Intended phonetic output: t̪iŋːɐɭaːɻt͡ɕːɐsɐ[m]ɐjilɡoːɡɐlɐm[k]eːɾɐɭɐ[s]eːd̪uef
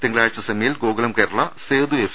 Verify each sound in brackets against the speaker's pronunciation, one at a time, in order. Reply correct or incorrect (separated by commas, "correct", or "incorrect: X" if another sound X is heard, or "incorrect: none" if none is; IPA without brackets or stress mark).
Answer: correct, correct, correct